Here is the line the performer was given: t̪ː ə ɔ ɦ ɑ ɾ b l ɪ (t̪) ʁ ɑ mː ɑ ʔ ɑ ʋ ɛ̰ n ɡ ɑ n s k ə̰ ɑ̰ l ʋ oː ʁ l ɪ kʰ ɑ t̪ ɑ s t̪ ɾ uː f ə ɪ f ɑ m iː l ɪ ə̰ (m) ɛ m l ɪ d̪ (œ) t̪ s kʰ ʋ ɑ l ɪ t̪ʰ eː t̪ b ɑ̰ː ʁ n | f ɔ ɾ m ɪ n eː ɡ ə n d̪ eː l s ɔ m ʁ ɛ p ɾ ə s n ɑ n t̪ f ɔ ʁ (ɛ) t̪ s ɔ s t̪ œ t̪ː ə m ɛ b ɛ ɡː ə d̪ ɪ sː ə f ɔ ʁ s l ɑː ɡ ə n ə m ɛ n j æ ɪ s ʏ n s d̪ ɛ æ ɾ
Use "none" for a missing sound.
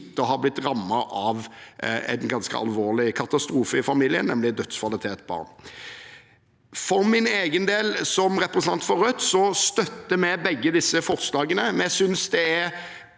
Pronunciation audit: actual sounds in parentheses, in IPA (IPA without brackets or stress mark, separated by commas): t̪, n, œ, œ